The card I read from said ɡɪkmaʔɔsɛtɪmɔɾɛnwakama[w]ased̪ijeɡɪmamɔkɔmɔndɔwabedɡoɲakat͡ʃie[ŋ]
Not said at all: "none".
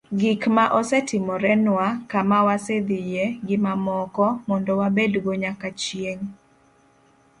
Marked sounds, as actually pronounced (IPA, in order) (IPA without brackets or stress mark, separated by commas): w, ŋ